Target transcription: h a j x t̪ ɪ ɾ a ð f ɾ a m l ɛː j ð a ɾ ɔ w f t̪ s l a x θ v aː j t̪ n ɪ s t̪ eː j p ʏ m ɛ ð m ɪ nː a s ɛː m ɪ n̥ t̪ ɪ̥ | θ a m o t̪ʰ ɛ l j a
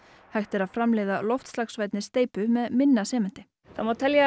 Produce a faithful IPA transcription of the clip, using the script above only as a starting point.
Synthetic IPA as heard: h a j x t̪ ɪ ɾ a ð f ɾ a m l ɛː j ð a l ɔ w f t̪ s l a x s v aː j t̪ n ɪ s t̪ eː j p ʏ m ɛ ð m ɪ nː a s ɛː m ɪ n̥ t̪ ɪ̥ | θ a m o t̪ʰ ɛ l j a